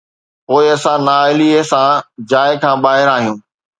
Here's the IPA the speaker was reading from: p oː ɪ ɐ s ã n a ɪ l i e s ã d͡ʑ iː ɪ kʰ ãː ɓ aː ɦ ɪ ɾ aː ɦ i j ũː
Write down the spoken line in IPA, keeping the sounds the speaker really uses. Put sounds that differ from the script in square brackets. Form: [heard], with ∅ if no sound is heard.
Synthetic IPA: p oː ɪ ɐ s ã n a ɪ l i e s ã d͡ʑ [aː] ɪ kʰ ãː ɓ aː ɦ ɪ ɾ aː ɦ i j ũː